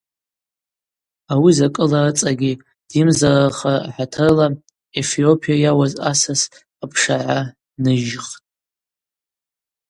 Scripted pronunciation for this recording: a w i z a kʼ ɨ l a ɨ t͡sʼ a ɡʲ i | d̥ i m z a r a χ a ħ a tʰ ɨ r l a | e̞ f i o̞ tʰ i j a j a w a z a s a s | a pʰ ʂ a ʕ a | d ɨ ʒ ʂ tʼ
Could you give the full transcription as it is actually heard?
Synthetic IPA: a w i z a kʼ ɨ l a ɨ t͡sʼ a ɡʲ i | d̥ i m z a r a χ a ħ a tʰ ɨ r l a | e̞ f i o̞ pʰ i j a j a w a z a s a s | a pʰ ʂ a ʕ a | n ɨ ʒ χ tʼ

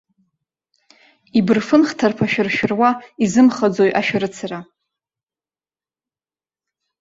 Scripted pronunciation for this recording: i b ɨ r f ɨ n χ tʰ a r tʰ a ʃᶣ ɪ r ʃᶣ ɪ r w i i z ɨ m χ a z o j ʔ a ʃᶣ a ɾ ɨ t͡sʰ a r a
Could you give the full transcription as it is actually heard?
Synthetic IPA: i b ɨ r f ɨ n χ tʰ a r pʰ a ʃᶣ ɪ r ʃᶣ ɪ r w a i z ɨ m χ a d͡z o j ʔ a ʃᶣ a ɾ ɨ t͡sʰ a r a

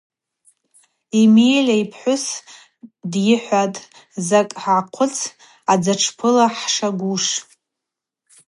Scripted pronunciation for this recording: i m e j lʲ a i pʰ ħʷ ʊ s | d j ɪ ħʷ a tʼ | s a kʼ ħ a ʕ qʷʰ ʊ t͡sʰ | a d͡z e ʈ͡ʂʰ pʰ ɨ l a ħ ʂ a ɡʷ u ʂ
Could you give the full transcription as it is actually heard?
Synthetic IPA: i m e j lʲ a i pʰ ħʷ ʊ s | d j ɪ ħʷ a tʼ | z a kʼ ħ a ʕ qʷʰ ʊ t͡sʰ | a d͡z a ʈ͡ʂʰ pʰ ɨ l a ħ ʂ a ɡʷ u ʂ

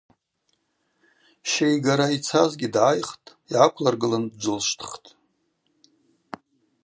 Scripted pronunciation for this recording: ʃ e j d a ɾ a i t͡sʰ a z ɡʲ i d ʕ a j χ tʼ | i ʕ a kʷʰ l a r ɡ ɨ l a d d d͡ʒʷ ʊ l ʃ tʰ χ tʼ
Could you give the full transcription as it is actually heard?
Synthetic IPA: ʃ e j ɡ a ɾ a i t͡sʰ a z ɡʲ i d ʕ a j χ tʼ | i ʕ a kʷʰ l a r ɡ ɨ l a n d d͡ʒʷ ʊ l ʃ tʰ χ tʼ

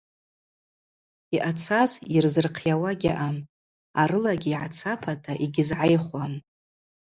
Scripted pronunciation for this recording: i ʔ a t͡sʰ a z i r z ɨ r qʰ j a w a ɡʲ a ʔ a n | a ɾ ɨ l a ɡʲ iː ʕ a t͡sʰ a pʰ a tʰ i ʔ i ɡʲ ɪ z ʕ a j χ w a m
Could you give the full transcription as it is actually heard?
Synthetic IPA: i ʔ a t͡sʰ a z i r z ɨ r qʰ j a w a ɡʲ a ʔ a m | a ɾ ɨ l a ɡʲ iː ʕ a t͡sʰ a pʰ a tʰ a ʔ i ɡʲ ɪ z ʕ a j χ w a m

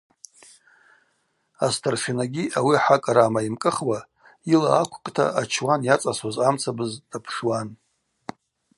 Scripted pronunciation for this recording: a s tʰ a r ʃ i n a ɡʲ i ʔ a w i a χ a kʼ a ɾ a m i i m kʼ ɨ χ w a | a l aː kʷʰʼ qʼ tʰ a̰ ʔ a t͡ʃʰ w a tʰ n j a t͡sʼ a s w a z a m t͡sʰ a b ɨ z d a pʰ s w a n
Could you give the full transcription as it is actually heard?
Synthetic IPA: a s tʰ a r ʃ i n a ɡʲ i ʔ a w i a ħ a kʼ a ɾ a m a i m kʼ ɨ χ w a | i l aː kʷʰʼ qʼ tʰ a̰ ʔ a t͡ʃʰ w a n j a t͡sʼ a s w a z a m t͡sʰ a b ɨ z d a pʰ ʂ w a n

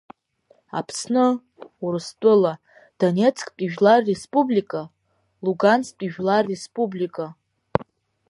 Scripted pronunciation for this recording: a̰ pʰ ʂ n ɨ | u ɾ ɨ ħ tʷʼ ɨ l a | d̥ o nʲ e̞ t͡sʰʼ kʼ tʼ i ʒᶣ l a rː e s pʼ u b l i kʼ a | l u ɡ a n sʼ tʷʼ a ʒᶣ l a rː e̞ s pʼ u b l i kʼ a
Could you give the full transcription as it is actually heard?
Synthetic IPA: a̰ pʰ s n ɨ | u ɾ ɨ s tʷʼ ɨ l a | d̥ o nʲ e̞ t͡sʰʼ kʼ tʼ i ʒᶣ l a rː e s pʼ u b l i kʼ a | l u ɡ a n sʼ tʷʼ i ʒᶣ l a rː e̞ s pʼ u b l i kʼ a

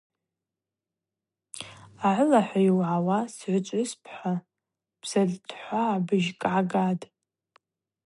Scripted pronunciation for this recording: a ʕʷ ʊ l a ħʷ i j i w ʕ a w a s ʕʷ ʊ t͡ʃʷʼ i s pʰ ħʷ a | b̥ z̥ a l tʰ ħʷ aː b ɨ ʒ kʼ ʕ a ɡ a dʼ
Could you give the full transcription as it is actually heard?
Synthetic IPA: a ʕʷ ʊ l a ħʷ a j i w ʕ a w a s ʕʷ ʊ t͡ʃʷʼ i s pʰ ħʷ a | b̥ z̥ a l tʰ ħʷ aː b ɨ ʒ kʼ ʕ a ɡ a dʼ

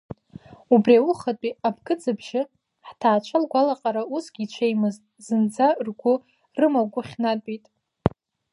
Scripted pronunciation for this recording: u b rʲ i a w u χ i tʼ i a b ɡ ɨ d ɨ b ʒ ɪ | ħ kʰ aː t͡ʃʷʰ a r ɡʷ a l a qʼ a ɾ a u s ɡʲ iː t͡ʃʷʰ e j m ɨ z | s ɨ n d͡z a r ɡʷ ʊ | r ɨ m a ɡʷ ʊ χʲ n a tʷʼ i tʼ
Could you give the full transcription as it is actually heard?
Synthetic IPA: u b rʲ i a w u χ a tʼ i a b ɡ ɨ d͡z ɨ b ʒ ɪ | ħ tʰ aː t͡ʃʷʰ a l ɡʷ a l a qʼ a ɾ a u s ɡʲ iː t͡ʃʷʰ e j m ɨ z | z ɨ n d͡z a r ɡʷ ʊ | r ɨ m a ɡʷ ʊ χʲ n a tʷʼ i tʼ

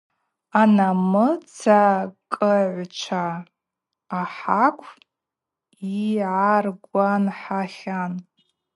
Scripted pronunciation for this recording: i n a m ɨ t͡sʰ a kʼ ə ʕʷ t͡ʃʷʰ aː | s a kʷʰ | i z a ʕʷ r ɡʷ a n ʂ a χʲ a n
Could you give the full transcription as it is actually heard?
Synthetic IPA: a n a m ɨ t͡sʰ a kʼ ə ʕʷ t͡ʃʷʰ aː | ħ a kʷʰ | i ʕ a r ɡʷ a n ħ a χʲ a n

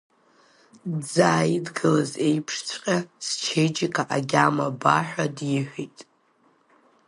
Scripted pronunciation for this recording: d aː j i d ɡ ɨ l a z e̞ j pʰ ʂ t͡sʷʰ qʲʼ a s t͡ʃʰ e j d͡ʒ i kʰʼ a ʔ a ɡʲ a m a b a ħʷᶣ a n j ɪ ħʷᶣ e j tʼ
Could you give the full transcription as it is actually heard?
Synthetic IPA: d͡z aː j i d ɡ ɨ l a z e̞ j pʰ ʂ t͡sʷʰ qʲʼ a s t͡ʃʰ e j d͡ʒ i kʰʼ a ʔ a ɡʲ a m a b a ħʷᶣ a d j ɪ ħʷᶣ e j tʼ

